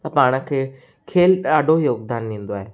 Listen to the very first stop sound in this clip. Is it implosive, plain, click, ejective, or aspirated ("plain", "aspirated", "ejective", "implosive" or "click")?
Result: plain